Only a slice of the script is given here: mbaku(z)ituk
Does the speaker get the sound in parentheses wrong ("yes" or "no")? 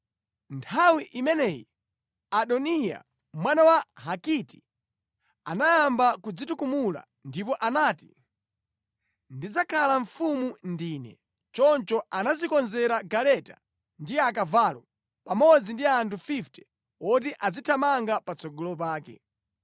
yes